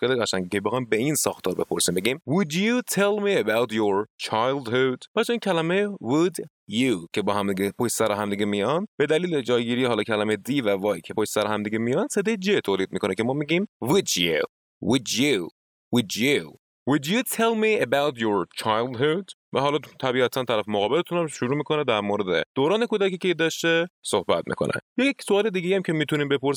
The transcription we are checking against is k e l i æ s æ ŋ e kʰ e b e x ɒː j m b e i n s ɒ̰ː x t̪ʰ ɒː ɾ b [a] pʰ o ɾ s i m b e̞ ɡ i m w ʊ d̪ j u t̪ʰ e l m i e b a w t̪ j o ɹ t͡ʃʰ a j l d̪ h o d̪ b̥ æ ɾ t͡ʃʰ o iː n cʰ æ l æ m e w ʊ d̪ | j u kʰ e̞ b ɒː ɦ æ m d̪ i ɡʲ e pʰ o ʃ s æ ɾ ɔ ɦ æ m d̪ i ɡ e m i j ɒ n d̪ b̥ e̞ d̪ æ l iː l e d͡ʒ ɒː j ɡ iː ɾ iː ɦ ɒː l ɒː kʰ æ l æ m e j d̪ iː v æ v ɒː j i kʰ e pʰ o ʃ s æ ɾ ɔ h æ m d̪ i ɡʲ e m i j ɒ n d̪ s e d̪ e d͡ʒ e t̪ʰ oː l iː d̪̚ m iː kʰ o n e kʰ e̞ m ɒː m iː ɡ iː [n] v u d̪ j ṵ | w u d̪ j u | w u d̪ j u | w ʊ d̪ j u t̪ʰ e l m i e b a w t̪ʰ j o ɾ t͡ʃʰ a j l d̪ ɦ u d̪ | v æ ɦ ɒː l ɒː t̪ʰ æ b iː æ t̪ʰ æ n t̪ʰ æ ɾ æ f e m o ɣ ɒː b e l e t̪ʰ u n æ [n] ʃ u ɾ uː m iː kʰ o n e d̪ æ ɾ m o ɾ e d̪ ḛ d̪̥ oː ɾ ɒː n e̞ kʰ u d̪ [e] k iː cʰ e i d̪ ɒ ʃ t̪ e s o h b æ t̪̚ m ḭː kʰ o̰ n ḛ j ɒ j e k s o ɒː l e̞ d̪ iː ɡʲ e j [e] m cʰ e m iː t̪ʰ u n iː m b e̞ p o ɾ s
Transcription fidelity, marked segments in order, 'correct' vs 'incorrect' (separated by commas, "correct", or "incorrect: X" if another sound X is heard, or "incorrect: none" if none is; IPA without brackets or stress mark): incorrect: e, incorrect: m, incorrect: m, incorrect: æ, incorrect: æ